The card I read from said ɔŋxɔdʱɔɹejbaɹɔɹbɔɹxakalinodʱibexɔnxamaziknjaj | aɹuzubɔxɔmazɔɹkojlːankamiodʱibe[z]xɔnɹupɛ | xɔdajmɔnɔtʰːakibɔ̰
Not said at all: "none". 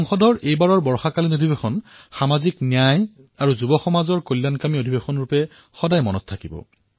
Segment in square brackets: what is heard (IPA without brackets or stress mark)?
none